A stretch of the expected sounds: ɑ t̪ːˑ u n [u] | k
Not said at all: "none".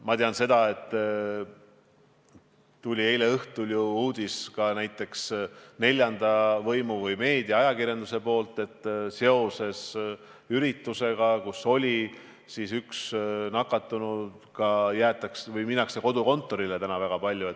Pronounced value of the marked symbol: u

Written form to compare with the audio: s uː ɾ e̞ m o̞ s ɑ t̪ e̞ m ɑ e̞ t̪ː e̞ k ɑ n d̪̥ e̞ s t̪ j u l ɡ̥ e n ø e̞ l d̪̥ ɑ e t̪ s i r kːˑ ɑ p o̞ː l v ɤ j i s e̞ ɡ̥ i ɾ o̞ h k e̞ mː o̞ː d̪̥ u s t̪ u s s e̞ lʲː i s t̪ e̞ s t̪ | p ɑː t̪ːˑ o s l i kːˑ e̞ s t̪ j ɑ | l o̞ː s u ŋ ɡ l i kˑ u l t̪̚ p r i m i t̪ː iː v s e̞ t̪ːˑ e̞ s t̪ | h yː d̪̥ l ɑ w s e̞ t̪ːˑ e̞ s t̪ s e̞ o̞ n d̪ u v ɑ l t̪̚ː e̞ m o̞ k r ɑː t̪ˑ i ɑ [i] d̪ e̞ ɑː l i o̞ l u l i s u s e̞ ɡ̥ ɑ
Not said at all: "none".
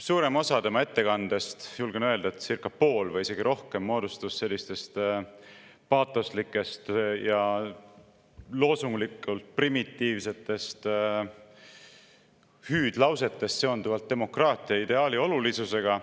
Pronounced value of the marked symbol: i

